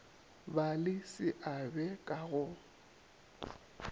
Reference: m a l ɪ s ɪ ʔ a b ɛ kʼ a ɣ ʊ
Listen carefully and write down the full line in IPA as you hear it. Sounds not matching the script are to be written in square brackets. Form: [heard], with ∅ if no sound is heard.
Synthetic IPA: [b] a l ɪ s ɪ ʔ a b ɛ kʼ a ɣ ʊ